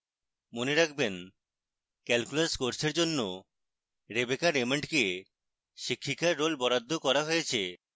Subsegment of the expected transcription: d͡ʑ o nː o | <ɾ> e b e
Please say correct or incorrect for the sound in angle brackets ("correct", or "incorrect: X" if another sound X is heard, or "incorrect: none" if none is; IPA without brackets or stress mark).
correct